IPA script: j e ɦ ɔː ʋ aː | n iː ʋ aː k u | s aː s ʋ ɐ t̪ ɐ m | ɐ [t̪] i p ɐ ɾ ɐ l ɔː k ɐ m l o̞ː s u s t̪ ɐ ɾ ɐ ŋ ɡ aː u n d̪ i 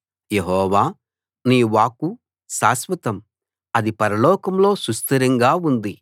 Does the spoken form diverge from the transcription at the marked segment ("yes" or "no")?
yes